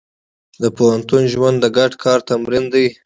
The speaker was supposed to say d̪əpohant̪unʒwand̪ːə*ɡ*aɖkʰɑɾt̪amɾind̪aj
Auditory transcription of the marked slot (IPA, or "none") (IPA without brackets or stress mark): ɡ